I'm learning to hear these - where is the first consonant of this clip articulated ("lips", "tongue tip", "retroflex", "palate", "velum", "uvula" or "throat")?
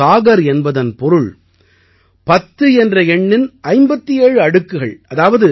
velum